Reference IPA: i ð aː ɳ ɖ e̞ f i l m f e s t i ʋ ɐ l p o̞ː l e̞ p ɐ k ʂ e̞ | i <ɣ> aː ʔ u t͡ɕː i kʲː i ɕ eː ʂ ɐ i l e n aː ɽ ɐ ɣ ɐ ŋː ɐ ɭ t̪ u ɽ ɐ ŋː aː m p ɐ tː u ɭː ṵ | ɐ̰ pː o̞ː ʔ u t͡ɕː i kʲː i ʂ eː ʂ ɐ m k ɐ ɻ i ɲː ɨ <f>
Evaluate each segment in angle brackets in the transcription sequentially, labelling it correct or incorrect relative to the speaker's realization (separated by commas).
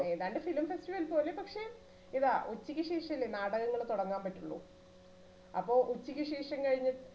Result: incorrect, incorrect